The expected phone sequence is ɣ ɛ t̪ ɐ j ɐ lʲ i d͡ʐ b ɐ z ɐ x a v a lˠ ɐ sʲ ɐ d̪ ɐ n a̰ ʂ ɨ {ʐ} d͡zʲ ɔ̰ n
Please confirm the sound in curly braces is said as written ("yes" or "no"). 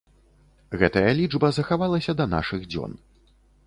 no